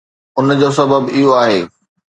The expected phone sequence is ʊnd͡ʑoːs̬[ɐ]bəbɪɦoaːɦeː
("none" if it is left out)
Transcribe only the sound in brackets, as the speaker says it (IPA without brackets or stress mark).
ɐ